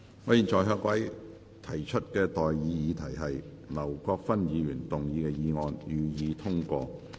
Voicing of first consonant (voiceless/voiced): voiced